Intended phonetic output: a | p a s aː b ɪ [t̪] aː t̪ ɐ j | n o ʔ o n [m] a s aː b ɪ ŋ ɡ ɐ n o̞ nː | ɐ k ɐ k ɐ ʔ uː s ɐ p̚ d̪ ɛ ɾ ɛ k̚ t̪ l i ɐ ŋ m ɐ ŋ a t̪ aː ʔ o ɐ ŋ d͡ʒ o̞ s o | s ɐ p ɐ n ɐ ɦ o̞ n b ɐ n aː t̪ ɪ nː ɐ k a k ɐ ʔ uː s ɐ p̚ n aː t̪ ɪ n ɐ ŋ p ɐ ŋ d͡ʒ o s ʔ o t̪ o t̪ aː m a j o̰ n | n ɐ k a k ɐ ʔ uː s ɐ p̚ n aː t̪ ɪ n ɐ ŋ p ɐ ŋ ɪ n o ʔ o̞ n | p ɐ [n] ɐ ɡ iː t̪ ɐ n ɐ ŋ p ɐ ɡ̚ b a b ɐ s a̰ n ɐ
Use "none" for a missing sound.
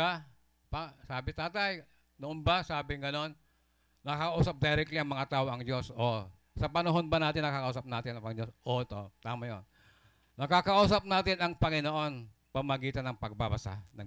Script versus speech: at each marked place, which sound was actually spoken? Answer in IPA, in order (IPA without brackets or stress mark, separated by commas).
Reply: t̪, b, m